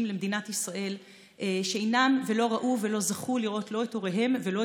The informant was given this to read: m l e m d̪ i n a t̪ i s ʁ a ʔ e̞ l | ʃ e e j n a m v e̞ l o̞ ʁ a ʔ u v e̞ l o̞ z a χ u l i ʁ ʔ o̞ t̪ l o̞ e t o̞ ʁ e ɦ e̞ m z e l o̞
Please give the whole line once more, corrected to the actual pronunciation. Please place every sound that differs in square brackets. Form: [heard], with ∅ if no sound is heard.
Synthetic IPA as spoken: m l e m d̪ i n a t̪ i s ʁ a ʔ e̞ l | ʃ e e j n a m v e̞ l o̞ ʁ a ʔ u v e̞ l o̞ z a χ u l i ʁ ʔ o̞ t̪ l o̞ e t o̞ ʁ e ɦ e̞ m [v] e l o̞